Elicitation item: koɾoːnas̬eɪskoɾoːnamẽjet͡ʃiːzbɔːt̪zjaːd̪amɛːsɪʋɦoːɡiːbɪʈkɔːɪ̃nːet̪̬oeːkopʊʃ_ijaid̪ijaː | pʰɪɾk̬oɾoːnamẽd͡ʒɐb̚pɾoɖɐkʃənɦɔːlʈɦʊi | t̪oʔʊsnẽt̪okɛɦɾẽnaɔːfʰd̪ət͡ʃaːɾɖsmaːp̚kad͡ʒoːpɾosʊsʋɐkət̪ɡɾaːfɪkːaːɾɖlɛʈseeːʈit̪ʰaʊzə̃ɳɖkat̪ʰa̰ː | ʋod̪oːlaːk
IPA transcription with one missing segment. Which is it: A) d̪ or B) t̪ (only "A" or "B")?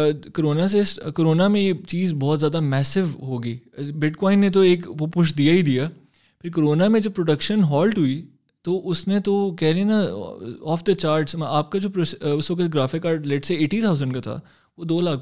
A